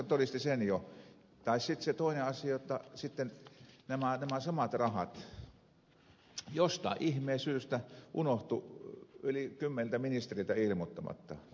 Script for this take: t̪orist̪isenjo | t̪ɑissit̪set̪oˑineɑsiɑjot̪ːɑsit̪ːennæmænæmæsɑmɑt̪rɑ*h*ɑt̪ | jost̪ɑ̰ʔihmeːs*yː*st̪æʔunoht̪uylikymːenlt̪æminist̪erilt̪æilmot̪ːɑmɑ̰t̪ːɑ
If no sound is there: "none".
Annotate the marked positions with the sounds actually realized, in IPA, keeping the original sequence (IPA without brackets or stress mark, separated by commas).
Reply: h, yː